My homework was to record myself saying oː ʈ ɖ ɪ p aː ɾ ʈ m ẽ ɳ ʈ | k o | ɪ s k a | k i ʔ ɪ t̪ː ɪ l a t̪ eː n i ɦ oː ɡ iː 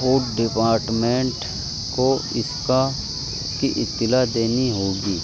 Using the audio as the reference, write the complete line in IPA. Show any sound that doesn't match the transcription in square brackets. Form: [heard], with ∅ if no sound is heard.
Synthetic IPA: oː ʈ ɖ ɪ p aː ɾ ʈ m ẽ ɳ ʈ | k o | ɪ s k a | k i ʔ ɪ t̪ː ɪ l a [d̪] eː n i ɦ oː ɡ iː